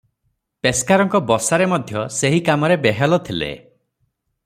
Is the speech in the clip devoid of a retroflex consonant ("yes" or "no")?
yes